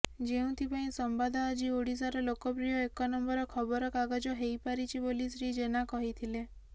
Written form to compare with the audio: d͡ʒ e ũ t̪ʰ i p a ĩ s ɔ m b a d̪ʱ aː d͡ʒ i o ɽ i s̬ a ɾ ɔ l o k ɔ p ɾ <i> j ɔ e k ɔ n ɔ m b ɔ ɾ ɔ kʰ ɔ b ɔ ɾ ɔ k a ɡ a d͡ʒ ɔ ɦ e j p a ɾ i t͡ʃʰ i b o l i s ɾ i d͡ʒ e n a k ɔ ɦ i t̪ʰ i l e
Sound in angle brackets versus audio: correct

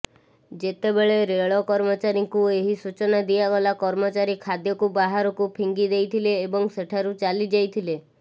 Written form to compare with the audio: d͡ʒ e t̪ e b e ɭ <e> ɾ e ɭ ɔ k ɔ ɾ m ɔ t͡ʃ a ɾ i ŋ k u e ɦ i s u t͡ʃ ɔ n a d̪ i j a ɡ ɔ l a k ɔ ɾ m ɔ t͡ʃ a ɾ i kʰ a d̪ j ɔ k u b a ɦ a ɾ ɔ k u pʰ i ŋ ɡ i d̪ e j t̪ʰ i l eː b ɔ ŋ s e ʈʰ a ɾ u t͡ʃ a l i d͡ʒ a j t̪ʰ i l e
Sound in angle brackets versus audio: correct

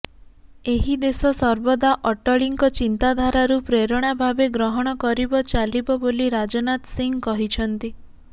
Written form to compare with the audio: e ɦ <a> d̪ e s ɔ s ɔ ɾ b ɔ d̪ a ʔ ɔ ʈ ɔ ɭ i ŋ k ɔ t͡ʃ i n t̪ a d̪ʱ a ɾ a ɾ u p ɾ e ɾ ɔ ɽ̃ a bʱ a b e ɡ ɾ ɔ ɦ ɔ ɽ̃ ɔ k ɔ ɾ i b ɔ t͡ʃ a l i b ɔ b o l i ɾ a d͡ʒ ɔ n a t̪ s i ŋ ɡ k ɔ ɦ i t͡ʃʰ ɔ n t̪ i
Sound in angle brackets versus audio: incorrect: i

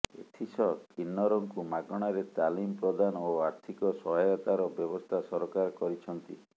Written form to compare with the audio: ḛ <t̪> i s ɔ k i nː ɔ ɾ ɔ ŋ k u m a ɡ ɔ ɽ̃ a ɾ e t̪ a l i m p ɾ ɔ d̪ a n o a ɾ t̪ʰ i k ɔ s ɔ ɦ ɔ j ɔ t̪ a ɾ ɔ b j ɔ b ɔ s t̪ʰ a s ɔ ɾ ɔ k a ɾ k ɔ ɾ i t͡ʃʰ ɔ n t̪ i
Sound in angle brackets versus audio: incorrect: t̪ʰ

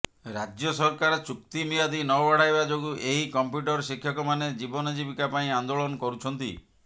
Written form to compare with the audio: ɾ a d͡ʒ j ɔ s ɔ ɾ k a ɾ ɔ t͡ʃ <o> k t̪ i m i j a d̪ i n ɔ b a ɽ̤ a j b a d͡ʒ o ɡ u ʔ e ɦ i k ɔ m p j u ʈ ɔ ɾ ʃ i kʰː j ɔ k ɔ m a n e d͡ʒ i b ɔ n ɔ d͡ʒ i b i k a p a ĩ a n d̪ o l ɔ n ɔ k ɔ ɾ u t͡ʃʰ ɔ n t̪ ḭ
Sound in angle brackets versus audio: incorrect: u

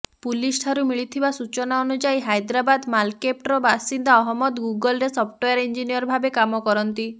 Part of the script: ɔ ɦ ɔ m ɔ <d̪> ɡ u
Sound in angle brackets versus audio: correct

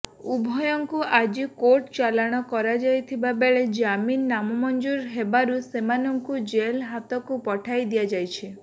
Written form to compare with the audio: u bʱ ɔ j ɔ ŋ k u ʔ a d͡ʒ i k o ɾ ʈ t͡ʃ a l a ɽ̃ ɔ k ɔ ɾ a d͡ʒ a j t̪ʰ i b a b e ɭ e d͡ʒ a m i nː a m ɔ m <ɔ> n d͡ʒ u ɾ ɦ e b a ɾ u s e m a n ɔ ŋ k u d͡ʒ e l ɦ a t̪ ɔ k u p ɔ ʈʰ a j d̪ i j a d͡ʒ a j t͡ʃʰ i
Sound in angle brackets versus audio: correct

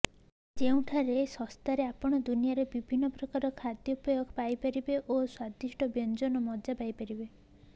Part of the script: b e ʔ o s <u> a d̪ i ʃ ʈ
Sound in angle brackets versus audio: incorrect: w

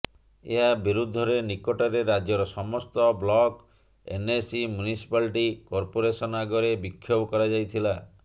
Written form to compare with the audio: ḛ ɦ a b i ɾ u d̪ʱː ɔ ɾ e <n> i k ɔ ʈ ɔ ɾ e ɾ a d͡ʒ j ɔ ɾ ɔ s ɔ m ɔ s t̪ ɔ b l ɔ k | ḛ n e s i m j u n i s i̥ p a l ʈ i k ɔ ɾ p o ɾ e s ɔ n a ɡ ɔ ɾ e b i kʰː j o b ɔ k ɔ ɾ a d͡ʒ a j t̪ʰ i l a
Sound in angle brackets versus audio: correct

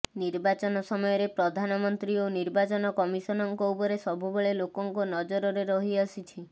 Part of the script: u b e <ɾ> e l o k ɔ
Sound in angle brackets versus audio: incorrect: ɭ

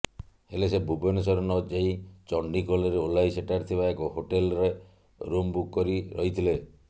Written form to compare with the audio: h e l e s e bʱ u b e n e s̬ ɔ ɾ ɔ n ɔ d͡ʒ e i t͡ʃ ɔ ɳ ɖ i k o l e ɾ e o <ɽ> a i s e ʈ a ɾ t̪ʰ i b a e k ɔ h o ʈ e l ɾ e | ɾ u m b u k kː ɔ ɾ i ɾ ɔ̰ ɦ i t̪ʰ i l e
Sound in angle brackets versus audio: incorrect: l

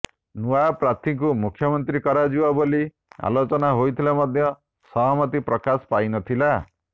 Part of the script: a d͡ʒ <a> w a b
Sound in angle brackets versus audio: incorrect: i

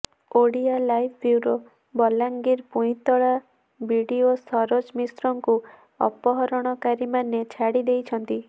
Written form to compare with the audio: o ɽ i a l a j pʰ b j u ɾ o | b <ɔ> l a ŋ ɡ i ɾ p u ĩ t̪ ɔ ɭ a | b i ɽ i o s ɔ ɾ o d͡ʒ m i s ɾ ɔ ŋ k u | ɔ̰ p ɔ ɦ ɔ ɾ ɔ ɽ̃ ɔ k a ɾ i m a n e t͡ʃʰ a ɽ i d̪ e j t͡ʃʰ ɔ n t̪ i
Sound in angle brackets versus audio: correct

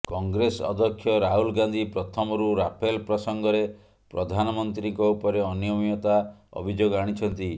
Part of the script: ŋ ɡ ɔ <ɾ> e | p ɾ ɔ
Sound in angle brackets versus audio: correct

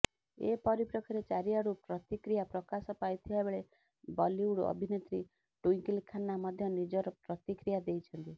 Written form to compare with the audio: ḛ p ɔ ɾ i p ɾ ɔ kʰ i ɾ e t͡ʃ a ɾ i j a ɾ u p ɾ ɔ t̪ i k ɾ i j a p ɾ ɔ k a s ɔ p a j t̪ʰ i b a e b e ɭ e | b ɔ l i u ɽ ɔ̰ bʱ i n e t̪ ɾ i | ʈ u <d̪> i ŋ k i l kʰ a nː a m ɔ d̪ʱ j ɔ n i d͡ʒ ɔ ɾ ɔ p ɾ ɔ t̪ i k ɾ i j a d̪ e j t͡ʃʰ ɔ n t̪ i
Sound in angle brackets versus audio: incorrect: none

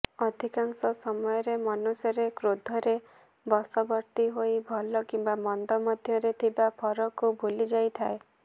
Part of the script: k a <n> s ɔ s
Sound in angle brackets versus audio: incorrect: ŋ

